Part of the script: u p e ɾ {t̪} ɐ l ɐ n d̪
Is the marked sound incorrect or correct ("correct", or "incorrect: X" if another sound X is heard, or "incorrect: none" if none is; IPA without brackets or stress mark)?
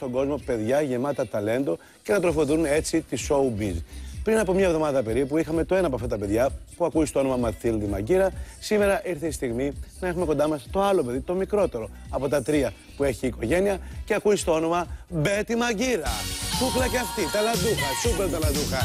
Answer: correct